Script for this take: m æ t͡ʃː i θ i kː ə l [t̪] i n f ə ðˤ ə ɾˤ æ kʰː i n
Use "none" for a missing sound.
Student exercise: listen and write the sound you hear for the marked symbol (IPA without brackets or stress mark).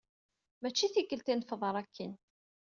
t̪